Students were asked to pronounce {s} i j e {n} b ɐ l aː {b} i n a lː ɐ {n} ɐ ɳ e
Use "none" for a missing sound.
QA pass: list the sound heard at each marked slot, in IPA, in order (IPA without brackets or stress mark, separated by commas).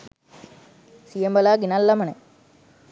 s, m, ɡ, m